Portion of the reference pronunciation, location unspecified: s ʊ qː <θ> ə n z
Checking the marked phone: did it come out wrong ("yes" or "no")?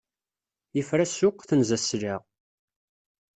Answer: no